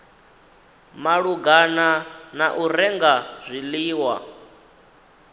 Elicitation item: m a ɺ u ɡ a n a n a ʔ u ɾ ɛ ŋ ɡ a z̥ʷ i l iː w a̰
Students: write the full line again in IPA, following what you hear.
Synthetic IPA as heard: m a ɺ u ɡ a n a n a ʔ u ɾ ɛ ŋ ɡ a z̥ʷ i l iː w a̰